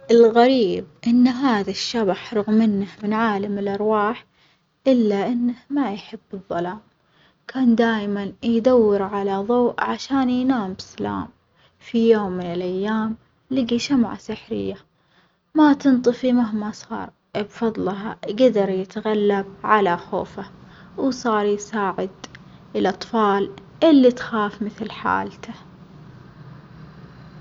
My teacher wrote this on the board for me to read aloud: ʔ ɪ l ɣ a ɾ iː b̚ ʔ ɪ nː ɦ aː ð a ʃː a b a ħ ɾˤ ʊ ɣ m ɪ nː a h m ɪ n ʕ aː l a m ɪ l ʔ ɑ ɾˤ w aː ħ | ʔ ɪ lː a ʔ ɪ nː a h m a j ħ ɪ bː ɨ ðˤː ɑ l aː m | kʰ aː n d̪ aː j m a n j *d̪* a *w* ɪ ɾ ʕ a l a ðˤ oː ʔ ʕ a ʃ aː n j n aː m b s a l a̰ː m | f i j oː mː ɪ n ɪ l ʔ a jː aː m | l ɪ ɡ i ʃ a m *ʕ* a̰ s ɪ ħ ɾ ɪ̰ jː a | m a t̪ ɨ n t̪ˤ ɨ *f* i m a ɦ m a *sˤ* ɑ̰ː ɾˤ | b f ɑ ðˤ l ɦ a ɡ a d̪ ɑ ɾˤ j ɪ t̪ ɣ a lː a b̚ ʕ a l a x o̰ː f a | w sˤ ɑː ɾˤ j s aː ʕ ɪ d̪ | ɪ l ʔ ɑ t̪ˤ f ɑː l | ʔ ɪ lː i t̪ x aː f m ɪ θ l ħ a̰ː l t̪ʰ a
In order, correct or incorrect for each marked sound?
correct, incorrect, correct, correct, correct

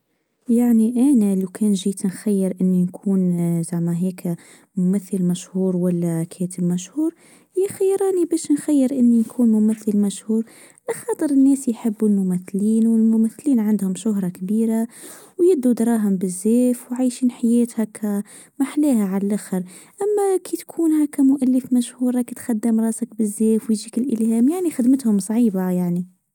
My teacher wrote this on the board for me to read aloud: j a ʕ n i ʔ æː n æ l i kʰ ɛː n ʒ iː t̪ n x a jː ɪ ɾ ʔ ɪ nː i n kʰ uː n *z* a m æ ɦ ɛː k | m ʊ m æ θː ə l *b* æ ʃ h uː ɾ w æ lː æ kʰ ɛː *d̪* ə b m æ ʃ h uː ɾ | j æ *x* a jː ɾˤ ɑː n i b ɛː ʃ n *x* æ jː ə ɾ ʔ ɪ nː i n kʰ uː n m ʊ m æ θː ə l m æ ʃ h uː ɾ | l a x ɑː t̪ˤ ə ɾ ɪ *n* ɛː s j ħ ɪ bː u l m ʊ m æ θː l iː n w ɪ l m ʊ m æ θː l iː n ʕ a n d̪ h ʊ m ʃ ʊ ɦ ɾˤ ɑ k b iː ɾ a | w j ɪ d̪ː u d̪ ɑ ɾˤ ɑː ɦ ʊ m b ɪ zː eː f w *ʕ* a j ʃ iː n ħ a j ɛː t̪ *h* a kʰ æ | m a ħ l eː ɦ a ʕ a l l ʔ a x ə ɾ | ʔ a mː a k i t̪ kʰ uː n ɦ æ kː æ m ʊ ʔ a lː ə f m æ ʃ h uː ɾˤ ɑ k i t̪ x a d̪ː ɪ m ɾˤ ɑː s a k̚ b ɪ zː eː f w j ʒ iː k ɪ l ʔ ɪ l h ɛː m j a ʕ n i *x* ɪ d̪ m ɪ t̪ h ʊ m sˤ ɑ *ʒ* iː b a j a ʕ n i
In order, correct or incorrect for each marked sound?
correct, incorrect, incorrect, correct, correct, incorrect, correct, correct, correct, incorrect

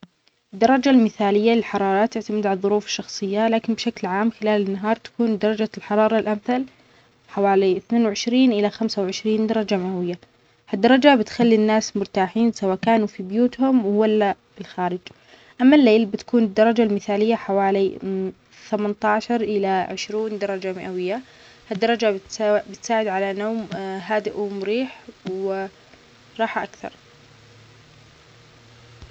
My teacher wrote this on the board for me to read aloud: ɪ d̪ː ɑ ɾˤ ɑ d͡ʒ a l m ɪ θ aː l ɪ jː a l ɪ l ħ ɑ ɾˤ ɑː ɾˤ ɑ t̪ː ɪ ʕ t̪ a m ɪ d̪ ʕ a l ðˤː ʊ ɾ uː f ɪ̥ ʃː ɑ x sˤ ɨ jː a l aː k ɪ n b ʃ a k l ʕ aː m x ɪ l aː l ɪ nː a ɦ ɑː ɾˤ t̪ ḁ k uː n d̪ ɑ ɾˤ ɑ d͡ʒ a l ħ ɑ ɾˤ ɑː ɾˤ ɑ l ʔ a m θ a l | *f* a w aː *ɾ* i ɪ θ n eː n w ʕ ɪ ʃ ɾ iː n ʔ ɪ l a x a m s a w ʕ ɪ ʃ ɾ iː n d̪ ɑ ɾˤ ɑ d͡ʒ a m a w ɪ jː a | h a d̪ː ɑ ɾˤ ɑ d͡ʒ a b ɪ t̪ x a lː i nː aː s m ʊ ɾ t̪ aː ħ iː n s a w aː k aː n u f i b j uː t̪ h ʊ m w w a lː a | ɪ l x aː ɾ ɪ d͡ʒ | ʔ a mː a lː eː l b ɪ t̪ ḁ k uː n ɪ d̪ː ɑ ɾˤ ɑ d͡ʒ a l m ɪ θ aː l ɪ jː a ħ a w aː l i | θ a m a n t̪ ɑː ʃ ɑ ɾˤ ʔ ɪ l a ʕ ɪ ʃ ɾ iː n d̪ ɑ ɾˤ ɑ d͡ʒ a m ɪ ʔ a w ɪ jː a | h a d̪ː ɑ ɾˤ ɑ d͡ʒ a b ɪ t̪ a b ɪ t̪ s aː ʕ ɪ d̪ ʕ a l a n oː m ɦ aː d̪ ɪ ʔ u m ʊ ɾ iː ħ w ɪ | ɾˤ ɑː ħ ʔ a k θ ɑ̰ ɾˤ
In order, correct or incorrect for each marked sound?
incorrect, incorrect

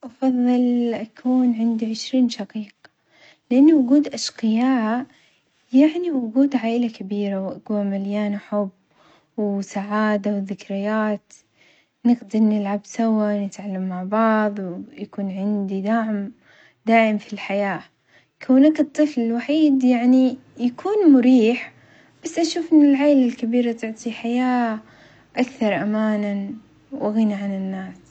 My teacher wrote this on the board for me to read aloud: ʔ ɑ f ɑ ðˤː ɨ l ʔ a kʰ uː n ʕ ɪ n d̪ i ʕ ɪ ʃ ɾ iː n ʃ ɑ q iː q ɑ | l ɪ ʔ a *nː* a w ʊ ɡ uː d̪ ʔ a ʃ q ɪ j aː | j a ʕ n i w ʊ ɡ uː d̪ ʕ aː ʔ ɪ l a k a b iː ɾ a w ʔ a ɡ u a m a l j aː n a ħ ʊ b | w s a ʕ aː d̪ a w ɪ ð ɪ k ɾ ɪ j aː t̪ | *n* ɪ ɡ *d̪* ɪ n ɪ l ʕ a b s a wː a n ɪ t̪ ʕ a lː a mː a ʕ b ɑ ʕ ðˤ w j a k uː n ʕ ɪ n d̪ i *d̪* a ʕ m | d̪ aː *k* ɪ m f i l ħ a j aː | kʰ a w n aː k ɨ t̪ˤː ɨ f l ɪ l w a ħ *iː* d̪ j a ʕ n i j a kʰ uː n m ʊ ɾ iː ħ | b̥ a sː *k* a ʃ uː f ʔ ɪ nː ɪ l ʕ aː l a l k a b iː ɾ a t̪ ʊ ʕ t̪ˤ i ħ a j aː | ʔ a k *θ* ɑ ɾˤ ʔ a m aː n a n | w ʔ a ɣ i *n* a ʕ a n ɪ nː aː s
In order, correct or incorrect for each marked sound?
correct, correct, correct, correct, incorrect, correct, incorrect, correct, correct

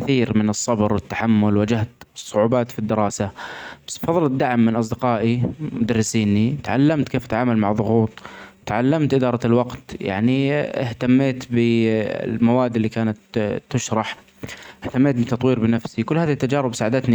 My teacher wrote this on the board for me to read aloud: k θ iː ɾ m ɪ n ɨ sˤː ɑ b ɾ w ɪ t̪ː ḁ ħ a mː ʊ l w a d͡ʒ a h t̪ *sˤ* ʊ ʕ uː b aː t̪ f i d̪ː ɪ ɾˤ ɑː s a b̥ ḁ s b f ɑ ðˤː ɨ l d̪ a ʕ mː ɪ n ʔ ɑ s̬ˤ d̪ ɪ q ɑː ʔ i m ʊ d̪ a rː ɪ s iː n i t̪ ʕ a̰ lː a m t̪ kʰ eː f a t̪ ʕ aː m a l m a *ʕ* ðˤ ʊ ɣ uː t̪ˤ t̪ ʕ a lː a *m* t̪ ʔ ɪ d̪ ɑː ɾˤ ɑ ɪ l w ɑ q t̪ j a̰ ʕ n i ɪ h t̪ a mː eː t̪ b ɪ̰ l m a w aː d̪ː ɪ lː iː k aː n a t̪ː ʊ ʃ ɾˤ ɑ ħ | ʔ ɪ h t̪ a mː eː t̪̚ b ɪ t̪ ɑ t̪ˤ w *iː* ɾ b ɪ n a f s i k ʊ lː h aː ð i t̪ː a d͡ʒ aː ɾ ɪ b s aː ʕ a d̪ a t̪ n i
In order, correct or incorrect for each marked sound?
incorrect, correct, correct, correct

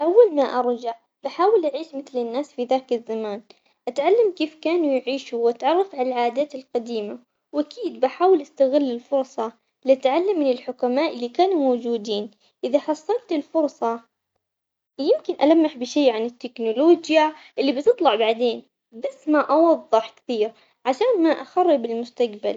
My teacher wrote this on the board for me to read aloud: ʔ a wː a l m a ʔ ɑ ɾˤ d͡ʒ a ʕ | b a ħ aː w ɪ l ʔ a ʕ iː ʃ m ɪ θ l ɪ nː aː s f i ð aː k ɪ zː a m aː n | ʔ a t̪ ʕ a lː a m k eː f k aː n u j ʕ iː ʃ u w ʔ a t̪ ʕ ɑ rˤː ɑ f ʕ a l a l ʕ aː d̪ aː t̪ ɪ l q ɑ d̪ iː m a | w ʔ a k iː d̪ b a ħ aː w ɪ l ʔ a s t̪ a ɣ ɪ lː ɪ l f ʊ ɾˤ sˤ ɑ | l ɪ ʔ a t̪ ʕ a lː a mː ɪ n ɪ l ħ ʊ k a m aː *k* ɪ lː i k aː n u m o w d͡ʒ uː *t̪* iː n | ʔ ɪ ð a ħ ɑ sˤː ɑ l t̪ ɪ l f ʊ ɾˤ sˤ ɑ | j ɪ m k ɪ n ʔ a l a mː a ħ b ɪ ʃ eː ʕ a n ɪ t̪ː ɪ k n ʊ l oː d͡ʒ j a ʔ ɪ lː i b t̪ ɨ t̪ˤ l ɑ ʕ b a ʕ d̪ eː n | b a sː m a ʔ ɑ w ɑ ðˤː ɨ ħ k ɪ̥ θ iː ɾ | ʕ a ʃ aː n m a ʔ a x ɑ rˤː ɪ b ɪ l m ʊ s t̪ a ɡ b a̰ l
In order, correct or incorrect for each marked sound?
incorrect, incorrect

